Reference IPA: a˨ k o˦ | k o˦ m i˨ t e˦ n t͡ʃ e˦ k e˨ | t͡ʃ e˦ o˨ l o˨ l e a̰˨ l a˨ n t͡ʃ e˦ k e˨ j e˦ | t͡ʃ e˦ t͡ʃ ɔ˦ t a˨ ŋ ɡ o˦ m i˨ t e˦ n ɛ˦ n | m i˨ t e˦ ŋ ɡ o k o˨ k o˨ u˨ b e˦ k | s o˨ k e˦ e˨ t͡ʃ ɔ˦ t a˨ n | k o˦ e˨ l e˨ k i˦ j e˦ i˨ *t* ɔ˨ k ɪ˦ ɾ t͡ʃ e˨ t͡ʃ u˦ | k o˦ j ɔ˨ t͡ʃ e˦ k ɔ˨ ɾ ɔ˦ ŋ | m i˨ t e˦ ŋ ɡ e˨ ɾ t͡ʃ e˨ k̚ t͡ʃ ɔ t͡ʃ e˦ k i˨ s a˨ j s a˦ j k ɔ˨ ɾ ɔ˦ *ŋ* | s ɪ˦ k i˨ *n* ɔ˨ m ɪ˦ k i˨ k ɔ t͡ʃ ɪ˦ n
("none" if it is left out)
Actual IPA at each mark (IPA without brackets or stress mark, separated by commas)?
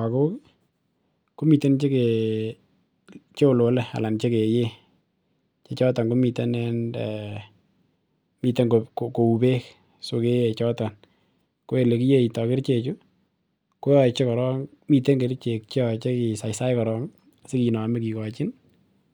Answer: t, ŋ, n